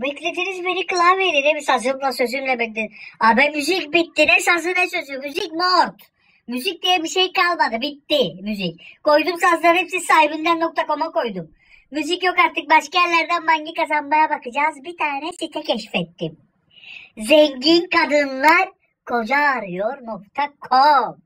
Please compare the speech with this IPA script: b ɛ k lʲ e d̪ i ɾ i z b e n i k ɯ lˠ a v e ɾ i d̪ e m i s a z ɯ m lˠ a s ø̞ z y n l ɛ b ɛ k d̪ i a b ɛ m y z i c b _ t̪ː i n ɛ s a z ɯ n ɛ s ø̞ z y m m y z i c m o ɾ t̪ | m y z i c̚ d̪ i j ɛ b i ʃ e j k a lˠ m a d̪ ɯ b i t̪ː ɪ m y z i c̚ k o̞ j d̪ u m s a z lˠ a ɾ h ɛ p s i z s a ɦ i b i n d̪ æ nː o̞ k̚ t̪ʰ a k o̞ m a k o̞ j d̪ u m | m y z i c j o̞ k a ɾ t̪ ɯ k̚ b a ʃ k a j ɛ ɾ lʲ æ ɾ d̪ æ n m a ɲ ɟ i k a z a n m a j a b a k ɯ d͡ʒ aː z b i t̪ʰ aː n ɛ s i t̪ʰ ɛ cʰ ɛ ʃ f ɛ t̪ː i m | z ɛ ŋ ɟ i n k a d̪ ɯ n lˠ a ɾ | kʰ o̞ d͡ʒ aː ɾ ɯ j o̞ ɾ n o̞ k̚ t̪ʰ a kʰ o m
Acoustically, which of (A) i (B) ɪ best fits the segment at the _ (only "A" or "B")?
A